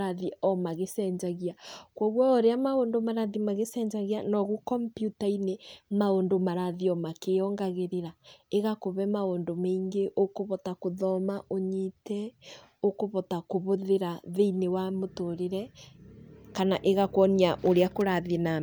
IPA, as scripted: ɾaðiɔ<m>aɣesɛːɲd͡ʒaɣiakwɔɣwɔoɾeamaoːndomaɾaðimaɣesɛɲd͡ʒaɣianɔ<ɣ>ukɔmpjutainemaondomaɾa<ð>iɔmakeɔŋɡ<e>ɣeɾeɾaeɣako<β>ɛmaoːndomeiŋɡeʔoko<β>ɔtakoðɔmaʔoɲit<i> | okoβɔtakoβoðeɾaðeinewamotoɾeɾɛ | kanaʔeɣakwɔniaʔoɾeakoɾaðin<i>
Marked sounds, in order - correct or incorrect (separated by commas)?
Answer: correct, correct, correct, incorrect, correct, correct, incorrect, incorrect